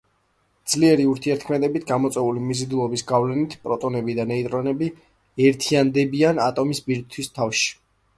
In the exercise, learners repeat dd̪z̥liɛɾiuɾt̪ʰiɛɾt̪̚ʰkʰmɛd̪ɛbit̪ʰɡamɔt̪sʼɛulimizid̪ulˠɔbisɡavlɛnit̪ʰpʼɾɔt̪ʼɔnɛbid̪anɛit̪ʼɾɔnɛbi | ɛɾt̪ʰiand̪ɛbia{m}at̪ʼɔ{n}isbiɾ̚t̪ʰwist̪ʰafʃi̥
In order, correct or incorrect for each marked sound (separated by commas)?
incorrect, incorrect